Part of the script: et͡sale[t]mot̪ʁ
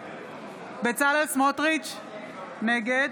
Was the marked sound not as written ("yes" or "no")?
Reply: yes